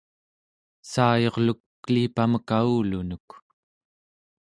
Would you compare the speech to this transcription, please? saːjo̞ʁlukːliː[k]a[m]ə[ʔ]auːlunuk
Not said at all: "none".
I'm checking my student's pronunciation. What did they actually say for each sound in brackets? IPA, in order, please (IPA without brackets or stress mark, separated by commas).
p, m, k